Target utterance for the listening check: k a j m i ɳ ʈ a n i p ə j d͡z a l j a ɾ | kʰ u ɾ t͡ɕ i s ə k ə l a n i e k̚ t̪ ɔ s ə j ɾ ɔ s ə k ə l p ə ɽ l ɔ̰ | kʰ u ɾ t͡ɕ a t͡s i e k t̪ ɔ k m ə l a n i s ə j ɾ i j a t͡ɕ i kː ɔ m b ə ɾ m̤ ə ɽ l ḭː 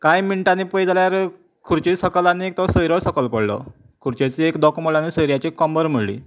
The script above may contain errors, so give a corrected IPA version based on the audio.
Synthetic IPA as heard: k a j m i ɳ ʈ a n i p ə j d͡z a l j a ɾ | kʰ u ɾ t͡ɕ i s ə k ə l a n i e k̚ t̪ ɔ s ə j ɾ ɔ s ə k ə l p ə ɽ l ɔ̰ | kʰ u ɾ t͡ɕ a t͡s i e k d̪ ɔ k m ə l a n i s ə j ɾ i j a t͡ɕ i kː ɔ m b ə ɾ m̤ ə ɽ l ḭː